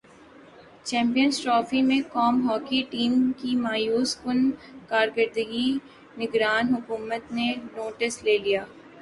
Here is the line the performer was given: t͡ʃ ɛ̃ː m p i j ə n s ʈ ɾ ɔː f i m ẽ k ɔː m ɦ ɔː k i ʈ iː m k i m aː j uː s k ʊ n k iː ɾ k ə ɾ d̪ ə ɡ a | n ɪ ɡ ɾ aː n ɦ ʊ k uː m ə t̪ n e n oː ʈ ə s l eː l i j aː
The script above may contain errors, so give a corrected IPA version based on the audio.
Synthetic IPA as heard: t͡ʃ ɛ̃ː m p i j ə n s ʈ ɾ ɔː f i m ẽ k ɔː m ɦ ɔː k i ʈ iː m k i m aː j uː s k ʊ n k aː ɾ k ə ɾ d̪ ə ɡ i | n ɪ ɡ ɾ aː n ɦ ʊ k uː m ə t̪ n e n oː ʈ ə s l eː l i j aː